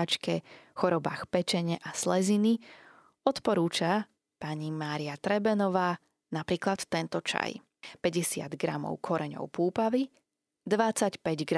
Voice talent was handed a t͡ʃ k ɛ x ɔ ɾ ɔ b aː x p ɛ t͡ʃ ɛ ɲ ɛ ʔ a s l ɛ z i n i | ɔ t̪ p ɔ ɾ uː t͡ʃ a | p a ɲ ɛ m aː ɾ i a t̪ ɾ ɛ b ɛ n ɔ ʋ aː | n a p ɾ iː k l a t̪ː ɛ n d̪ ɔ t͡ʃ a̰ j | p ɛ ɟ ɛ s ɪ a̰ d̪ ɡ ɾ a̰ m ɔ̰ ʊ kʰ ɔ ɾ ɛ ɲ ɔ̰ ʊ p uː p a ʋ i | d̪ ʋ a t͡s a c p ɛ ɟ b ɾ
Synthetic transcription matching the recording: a t͡ʃ k ɛ x ɔ ɾ ɔ b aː x p ɛ t͡ʃ ɛ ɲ ɛ ʔ a s l ɛ z i n i | ɔ t̪ p ɔ ɾ uː t͡ʃ a | p a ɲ i m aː ɾ i a t̪ ɾ ɛ b ɛ n ɔ ʋ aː | n a p ɾ iː k l a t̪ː ɛ n t̪ ɔ t͡ʃ a̰ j | p ɛ ɟ ɛ s ɪ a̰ d̪ ɡ ɾ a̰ m ɔ̰ ʊ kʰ ɔ ɾ ɛ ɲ ɔ̰ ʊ p uː p a ʋ i | d̪ ʋ a t͡s a c p ɛ ɟ ɡ ɾ